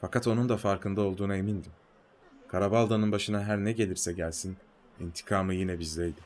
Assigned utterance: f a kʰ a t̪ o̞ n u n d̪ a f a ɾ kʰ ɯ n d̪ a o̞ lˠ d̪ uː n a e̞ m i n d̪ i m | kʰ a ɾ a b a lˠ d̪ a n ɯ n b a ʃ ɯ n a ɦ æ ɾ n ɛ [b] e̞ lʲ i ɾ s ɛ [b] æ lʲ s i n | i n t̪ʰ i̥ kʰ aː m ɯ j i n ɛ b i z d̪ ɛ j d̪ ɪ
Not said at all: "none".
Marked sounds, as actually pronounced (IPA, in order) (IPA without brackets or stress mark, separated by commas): ɟ, ɟ